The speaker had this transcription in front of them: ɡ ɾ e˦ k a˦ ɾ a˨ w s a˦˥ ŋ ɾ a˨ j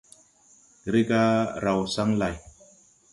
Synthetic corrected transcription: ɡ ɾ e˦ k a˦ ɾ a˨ w s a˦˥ ŋ l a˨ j